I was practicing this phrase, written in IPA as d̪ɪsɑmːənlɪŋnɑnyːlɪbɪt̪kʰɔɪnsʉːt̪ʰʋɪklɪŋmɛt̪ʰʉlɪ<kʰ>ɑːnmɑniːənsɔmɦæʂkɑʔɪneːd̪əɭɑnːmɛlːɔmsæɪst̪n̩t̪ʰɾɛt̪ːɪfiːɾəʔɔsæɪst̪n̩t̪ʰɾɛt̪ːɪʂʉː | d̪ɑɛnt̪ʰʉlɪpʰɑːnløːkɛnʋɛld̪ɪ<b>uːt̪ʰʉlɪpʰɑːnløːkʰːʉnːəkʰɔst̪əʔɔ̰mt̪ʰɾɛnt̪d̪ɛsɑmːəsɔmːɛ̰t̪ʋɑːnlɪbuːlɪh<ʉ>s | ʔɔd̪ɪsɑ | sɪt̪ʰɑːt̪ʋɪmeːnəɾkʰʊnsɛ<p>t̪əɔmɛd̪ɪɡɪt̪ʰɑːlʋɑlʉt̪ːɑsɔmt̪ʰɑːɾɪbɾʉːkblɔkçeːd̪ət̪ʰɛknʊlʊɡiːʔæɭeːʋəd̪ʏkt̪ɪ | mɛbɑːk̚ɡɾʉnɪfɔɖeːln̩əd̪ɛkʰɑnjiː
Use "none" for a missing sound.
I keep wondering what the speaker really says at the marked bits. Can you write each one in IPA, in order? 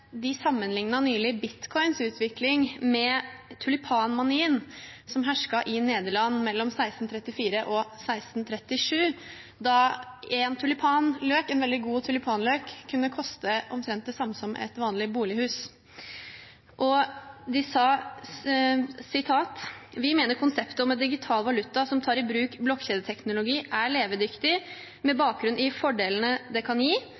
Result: pʰ, ɡ, ʉː, p

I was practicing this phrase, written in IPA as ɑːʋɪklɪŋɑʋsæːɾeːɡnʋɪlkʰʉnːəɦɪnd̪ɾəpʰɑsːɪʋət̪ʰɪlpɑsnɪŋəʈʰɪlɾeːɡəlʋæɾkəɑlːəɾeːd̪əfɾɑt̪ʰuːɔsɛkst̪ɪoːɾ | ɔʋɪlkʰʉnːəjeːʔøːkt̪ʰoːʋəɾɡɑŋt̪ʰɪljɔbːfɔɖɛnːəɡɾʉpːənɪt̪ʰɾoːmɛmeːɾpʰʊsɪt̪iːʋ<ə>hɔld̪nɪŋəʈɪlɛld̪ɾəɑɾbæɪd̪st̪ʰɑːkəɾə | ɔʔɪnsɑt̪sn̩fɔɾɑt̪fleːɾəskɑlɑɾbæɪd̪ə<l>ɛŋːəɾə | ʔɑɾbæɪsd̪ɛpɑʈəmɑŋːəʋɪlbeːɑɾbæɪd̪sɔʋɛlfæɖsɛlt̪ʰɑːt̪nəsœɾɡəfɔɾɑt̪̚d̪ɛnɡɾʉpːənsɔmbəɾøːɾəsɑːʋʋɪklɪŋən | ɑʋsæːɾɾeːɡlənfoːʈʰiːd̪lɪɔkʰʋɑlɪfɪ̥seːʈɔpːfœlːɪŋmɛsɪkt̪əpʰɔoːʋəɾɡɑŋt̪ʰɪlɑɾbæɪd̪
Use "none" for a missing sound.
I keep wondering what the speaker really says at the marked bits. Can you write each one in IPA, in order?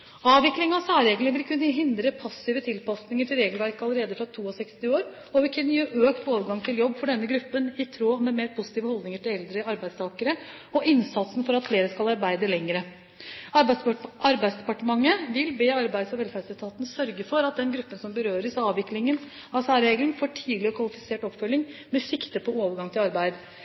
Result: ə, l

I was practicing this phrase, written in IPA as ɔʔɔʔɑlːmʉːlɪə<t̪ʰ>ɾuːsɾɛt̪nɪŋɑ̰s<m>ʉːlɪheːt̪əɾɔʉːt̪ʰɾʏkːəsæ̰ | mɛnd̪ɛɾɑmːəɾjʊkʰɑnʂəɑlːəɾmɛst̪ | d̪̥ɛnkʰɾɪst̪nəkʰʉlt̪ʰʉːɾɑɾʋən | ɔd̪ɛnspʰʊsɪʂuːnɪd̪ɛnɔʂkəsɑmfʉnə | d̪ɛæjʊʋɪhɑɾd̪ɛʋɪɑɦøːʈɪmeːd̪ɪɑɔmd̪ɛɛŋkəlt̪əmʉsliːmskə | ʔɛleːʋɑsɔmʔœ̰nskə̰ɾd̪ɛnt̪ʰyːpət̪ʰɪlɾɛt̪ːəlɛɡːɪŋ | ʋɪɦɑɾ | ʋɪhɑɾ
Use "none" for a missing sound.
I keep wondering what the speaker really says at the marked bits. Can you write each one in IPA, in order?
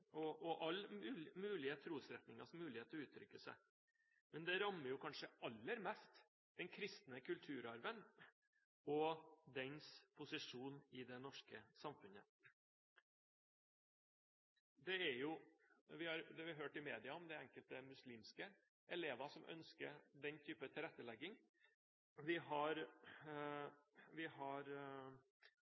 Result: t̪ʰ, m

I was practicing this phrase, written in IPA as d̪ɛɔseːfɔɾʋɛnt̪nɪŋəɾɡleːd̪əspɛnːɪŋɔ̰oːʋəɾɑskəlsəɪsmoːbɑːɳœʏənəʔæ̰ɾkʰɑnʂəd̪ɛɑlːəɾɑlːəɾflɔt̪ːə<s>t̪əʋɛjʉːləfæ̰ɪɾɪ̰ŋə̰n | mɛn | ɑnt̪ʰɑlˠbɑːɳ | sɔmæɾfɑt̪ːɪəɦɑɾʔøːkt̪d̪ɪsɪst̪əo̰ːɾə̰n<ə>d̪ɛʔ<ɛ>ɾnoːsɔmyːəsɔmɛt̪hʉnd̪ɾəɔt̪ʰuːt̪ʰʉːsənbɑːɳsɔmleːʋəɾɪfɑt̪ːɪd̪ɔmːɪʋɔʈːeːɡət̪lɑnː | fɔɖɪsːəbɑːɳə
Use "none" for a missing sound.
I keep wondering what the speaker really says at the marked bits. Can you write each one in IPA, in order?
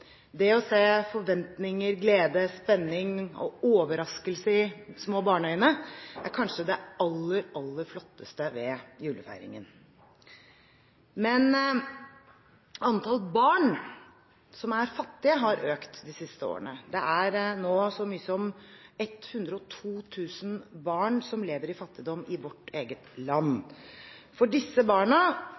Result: s, ə, æ

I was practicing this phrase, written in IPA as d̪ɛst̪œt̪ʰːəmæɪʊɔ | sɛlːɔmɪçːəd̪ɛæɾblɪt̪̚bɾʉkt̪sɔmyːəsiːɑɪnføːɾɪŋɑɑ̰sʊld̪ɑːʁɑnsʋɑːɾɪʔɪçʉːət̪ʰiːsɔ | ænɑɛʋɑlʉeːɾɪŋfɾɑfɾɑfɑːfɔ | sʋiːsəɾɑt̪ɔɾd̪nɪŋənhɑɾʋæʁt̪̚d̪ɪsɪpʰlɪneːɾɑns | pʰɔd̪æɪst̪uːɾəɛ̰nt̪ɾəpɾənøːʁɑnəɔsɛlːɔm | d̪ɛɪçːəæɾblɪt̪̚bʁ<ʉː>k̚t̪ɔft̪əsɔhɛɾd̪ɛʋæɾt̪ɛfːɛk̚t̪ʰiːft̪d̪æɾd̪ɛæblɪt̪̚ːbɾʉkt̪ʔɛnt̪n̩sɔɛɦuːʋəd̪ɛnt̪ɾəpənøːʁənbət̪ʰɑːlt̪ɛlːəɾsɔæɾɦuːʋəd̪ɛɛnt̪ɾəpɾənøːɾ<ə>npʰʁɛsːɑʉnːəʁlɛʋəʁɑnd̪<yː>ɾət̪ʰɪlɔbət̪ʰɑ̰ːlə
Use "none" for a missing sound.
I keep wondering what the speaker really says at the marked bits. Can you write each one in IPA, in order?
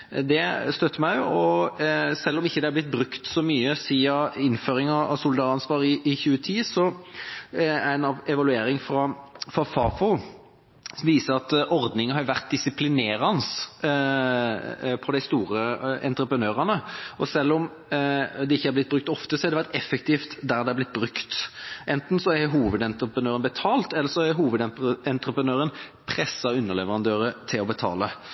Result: ʉ, ə, øː

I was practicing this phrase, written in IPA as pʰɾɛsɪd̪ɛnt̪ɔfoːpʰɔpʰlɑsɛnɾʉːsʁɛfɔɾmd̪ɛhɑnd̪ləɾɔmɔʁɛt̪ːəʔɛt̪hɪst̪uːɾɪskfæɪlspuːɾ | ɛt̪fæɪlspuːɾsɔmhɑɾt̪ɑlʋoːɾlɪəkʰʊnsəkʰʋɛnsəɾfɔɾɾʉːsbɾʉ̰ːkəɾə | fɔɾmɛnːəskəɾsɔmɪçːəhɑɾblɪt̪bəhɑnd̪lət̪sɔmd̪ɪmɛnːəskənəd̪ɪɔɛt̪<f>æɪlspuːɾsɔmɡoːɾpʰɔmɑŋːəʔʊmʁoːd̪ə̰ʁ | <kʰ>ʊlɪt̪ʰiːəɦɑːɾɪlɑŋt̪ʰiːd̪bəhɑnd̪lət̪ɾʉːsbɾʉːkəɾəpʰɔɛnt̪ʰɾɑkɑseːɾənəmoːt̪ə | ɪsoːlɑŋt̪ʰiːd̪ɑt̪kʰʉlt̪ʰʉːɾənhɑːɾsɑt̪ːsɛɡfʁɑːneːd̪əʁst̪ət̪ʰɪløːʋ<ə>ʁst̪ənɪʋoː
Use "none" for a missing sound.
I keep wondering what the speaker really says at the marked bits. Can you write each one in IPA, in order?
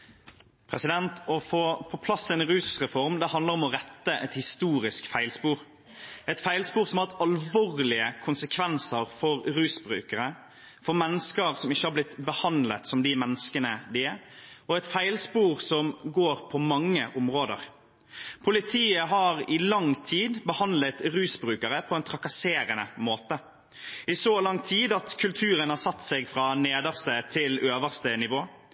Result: f, pʰ, ə

